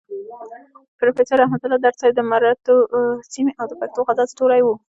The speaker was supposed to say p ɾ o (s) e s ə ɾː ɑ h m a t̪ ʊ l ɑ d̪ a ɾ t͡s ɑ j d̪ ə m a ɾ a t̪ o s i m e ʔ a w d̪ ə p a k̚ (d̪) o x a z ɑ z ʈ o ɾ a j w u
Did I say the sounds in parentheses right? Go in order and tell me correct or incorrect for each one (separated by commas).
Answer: incorrect, incorrect